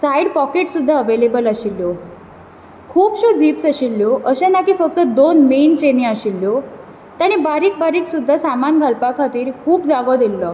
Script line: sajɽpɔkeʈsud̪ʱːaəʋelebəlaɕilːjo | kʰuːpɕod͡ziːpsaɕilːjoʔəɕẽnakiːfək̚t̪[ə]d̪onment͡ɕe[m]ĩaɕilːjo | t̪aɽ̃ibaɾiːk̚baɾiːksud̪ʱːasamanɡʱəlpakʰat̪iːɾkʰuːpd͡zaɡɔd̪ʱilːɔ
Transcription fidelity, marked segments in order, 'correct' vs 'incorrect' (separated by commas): correct, incorrect